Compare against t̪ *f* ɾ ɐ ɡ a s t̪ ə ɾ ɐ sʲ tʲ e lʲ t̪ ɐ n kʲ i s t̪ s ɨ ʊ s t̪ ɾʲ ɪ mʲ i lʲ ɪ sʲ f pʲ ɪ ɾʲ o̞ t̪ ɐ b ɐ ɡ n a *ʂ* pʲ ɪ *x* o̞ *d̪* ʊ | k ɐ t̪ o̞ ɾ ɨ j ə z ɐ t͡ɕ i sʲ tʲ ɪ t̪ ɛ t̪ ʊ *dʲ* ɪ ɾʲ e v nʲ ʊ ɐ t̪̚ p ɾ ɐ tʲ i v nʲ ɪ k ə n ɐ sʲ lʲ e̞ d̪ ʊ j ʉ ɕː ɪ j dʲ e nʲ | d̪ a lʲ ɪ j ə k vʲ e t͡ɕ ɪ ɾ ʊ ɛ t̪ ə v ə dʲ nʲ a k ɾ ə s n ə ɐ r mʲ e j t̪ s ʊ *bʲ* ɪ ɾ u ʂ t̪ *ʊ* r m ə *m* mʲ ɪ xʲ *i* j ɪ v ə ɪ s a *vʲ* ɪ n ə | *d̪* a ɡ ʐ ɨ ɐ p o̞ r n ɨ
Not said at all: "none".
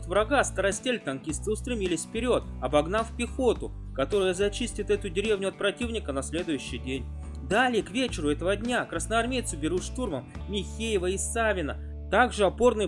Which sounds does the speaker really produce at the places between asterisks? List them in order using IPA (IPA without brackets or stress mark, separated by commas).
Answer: v, f, x, t̪, dʲ, bʲ, u, m, e, vʲ, t̪